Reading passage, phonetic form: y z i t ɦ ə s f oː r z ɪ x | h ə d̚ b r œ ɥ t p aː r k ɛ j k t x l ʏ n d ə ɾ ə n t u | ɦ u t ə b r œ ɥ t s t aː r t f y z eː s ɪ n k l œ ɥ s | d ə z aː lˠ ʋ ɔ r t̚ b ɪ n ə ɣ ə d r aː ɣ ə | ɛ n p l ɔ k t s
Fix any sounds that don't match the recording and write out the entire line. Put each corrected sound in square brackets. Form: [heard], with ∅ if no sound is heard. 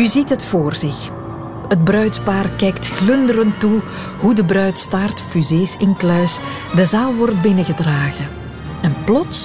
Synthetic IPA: y z i t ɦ ə [t] f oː r z ɪ x | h ə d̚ b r œ ɥ t p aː r k ɛ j k t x l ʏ n d ə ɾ ə n t u | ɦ u [d] ə b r œ ɥ t s t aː r t f y z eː s ɪ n k l œ ɥ s | d ə z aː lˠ ʋ ɔ r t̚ b ɪ n ə ɣ ə d r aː ɣ ə | ɛ n p l ɔ [∅] t s